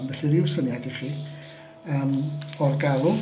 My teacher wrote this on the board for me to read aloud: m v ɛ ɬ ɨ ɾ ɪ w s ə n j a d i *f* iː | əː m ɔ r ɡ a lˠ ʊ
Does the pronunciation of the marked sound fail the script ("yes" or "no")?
yes